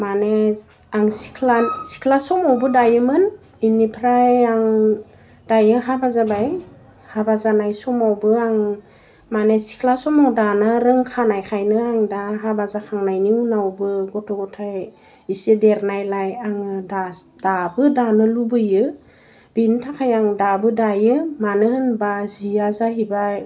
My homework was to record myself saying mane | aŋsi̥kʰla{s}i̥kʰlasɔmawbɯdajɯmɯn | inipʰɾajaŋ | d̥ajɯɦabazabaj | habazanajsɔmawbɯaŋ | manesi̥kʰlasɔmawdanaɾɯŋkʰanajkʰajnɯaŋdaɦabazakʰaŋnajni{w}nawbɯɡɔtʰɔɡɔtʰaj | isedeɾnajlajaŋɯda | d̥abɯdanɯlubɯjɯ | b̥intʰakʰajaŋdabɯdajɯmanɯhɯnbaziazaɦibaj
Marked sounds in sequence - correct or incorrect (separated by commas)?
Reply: correct, incorrect